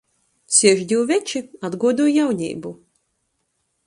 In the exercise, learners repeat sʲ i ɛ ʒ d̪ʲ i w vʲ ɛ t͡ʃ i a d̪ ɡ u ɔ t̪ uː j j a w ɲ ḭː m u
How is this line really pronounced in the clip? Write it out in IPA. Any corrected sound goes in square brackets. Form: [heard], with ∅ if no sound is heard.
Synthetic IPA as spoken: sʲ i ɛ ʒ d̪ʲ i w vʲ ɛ t͡ʃ i a d̪ ɡ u ɔ [d̪] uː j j a w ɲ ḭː [b] u